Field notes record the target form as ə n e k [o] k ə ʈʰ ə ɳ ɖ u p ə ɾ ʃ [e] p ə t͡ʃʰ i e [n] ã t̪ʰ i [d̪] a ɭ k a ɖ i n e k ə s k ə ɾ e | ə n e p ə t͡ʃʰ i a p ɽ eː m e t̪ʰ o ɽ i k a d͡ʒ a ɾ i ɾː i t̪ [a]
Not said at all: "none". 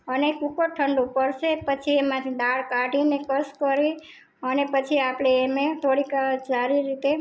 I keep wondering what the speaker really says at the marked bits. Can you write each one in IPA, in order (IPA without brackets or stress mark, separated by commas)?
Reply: u, e, m, d̪, e